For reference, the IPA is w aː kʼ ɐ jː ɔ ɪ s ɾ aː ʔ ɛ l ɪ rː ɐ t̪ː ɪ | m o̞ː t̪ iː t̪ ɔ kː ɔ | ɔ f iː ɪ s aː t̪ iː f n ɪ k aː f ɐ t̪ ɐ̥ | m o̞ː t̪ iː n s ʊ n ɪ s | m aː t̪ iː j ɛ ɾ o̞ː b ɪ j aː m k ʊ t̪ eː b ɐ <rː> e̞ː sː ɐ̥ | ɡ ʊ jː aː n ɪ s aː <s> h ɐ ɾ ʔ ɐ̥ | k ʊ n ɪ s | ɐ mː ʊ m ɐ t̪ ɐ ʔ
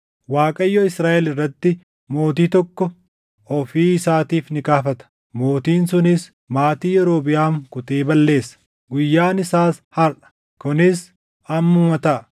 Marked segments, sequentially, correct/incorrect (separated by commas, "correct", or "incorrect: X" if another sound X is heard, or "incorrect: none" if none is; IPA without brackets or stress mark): incorrect: lː, correct